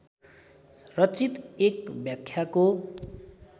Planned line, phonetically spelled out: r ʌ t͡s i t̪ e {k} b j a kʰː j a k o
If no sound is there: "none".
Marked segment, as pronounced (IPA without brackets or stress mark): k